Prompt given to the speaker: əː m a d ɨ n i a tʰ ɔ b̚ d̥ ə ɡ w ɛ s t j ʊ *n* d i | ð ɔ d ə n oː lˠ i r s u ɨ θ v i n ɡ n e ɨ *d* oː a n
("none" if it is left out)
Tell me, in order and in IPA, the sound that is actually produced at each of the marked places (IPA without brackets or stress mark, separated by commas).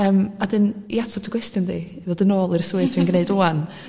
n, d